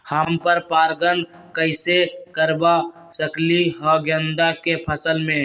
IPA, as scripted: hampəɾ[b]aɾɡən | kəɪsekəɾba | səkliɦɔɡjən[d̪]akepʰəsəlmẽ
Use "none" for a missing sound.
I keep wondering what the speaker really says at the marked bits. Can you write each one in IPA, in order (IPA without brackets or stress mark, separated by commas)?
p, d̪